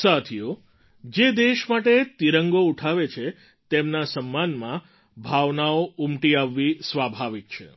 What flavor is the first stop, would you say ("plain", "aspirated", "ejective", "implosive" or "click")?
aspirated